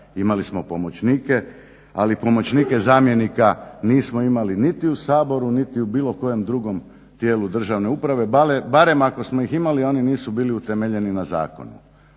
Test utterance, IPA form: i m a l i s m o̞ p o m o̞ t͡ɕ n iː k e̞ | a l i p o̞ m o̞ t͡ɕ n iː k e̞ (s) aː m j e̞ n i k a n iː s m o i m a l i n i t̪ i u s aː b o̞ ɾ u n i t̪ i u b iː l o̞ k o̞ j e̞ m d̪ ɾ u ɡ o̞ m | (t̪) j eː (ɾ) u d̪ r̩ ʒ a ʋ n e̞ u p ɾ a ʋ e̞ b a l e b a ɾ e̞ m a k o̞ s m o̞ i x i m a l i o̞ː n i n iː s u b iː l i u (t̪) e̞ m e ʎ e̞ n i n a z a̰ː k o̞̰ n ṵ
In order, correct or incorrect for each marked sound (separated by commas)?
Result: incorrect, correct, incorrect, correct